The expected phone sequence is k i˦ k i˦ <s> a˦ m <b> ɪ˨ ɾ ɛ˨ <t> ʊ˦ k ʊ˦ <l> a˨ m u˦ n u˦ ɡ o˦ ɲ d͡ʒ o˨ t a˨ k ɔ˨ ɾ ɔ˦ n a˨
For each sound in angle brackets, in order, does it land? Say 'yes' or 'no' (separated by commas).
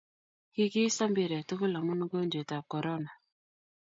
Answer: yes, yes, yes, yes